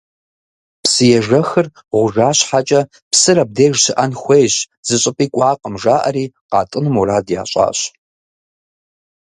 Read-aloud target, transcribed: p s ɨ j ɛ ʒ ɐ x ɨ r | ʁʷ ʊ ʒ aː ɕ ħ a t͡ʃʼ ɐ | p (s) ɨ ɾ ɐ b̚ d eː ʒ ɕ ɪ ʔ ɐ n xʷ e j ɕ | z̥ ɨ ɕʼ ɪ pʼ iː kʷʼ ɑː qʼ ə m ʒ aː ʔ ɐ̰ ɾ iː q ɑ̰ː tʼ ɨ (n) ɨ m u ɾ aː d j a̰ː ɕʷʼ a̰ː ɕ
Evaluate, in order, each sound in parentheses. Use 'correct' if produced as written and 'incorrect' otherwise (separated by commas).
correct, correct